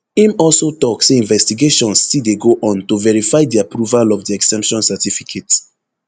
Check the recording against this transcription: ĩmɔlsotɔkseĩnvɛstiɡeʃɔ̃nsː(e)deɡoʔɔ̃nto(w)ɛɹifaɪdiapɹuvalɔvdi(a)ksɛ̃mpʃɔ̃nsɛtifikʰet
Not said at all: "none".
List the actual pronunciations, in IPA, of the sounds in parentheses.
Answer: i, v, ɛ

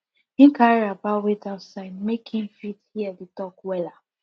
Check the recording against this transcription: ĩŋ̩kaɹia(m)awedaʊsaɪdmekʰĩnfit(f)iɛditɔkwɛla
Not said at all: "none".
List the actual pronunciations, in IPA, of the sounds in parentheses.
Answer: b, h

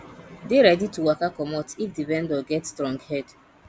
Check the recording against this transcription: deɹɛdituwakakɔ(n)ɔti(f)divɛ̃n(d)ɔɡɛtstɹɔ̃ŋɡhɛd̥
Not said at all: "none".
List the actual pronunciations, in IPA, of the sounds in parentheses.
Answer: m, f, d

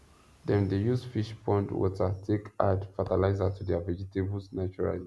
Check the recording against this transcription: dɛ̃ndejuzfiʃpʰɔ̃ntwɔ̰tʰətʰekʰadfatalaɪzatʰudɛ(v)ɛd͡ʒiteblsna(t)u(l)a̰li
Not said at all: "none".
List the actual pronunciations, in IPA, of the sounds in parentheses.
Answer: v, t͡ʃ, ɹ

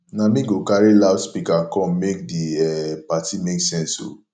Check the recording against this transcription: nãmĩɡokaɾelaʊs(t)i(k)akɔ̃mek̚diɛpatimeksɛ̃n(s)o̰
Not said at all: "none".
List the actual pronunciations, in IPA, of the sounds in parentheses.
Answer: p, k, s

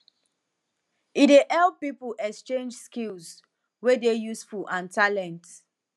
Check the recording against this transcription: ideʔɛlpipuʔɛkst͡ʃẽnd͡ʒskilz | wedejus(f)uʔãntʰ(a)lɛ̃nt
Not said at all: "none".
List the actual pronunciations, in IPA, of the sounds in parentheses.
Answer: f, a

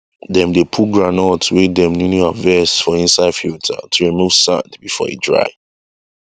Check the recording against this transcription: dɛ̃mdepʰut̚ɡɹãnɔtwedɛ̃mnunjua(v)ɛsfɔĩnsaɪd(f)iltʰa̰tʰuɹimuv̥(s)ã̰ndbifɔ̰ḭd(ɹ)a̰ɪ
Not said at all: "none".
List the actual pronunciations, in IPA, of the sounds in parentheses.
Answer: v, f, s, ɹ

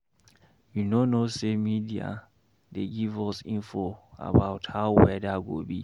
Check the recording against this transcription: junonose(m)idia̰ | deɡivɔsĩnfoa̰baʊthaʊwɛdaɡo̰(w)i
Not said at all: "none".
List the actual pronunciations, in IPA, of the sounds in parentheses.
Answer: m, b

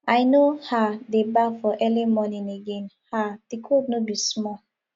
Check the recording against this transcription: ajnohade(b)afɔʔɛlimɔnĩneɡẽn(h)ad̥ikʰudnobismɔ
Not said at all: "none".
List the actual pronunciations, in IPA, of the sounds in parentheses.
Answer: b, h

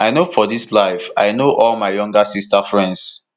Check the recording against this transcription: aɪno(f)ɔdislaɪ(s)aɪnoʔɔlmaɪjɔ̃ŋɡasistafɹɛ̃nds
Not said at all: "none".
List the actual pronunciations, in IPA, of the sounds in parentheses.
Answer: f, f

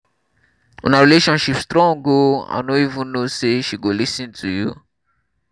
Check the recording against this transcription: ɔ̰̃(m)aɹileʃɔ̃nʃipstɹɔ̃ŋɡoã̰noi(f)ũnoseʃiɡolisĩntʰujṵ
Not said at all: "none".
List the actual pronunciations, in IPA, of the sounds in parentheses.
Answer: n, v

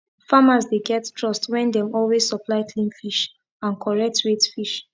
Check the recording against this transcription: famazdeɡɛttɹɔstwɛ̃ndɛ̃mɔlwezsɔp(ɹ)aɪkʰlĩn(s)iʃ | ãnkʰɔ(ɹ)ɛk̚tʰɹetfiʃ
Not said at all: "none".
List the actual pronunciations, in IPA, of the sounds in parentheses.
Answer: l, f, ɹ

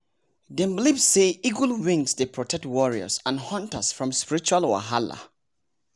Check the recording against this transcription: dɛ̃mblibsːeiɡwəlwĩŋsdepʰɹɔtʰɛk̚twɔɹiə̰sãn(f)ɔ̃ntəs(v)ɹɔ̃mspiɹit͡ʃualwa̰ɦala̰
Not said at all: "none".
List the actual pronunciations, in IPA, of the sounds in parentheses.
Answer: h, f

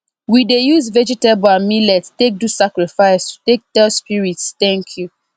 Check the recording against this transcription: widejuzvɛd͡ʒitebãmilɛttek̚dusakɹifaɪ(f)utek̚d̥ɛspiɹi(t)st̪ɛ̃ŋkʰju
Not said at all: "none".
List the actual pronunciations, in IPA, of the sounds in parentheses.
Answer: s, t

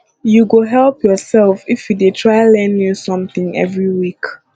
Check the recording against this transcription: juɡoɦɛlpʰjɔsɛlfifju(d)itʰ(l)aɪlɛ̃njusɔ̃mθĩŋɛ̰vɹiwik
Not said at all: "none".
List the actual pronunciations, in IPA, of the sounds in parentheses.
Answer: d, ɹ

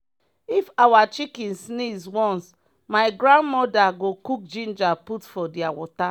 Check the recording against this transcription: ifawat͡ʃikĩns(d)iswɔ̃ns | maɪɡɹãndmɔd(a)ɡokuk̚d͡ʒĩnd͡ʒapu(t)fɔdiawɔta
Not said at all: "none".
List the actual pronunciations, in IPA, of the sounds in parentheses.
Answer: n, a, t

